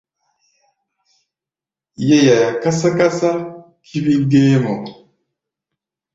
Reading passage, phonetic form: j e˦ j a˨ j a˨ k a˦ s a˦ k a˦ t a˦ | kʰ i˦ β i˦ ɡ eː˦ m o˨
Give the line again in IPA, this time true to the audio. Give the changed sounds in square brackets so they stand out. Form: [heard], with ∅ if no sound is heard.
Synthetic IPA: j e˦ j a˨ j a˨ k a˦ s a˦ k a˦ [s] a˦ | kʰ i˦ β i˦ ɡ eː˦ m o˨

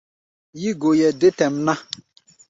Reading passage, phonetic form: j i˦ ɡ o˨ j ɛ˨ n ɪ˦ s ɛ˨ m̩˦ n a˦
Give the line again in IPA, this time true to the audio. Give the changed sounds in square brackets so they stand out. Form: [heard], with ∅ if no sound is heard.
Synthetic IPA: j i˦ ɡ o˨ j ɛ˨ [d] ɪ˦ [t] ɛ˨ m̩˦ n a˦

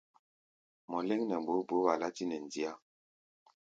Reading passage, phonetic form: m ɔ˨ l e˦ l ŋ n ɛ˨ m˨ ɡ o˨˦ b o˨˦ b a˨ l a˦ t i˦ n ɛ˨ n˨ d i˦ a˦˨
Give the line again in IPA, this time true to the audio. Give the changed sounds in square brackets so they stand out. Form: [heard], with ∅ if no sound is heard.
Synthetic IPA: m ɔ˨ l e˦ [∅] ŋ n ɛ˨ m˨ [b] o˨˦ b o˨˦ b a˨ l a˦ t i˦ n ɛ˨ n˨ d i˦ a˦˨

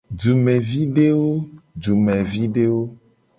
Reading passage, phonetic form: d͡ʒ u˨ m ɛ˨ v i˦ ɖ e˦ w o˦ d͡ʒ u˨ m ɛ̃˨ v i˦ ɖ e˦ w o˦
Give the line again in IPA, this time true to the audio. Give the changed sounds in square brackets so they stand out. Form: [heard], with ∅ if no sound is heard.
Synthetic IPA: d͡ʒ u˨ m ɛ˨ v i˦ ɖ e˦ w o˦ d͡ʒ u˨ m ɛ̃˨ v i˦ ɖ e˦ w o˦

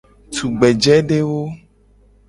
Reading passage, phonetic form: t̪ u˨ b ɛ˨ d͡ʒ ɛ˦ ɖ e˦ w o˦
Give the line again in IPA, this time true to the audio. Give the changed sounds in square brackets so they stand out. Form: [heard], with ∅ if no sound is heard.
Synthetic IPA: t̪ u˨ [ɡ͡b] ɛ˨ d͡ʒ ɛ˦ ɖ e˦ w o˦

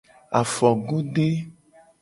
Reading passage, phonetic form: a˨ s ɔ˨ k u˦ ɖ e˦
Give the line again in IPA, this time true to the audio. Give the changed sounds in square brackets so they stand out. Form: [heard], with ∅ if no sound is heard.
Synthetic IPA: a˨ [f] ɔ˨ [ɡ] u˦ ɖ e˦

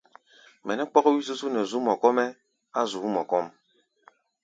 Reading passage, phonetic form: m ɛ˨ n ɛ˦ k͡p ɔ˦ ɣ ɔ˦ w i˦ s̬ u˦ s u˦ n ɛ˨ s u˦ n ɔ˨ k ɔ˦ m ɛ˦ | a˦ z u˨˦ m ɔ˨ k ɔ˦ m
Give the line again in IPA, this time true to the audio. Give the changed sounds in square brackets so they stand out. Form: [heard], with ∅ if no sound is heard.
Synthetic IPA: m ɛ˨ n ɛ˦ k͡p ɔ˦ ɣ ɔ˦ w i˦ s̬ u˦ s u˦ n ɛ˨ [z] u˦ [m] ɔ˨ k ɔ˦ m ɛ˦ | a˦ z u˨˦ m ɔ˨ k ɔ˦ m

